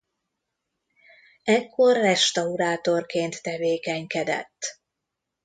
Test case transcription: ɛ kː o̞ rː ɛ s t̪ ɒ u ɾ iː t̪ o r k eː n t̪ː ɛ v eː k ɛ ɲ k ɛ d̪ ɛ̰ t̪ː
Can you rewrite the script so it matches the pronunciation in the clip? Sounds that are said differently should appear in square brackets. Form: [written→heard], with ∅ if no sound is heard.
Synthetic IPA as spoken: ɛ kː o̞ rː ɛ [s→ʃ] t̪ ɒ u ɾ [iː→aː] t̪ o r k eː n t̪ː ɛ v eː k ɛ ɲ k ɛ d̪ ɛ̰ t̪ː